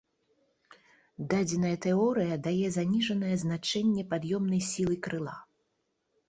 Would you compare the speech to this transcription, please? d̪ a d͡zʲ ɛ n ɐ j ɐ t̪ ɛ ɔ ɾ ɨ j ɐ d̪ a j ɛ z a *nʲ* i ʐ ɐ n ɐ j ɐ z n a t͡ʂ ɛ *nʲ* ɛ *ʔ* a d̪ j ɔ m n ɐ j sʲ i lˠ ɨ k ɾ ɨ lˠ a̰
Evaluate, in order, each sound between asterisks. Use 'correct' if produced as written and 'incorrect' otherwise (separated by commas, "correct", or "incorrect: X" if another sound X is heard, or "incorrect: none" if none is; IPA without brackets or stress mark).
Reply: correct, incorrect: nʲː, incorrect: p